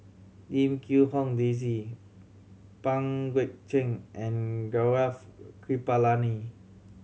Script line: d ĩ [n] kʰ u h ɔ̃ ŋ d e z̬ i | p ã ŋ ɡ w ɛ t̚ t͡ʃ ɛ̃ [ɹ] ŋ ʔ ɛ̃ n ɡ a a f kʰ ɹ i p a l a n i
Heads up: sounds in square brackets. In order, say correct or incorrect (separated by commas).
incorrect, incorrect